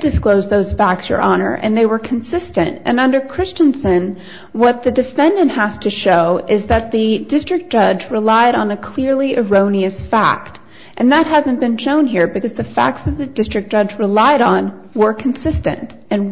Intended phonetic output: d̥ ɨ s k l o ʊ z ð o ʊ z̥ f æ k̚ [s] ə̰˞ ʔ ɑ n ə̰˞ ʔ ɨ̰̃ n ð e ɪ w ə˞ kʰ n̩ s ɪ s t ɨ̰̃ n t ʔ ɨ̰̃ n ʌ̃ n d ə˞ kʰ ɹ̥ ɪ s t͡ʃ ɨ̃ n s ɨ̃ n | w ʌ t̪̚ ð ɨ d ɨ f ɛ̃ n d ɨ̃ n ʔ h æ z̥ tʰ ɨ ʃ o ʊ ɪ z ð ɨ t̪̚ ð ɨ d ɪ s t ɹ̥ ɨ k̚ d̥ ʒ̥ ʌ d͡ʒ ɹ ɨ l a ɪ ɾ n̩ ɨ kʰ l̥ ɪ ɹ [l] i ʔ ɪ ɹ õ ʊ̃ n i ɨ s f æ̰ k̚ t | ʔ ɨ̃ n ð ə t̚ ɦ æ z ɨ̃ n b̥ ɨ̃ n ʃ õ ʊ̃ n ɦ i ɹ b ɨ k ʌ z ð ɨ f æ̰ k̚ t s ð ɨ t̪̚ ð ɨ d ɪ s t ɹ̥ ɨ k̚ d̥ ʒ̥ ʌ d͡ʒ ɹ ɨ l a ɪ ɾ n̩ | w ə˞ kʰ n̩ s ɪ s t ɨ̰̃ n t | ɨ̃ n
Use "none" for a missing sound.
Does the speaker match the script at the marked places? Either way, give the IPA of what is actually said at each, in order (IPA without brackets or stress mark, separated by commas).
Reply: s, l